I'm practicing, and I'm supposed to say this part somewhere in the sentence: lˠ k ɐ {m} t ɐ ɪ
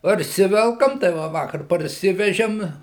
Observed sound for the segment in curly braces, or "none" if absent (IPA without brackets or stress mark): m